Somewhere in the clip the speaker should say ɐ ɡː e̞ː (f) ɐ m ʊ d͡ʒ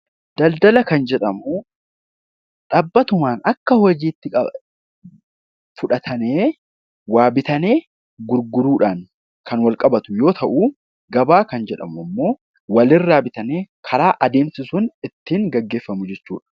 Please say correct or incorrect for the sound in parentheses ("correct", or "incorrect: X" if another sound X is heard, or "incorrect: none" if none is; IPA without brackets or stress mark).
incorrect: fː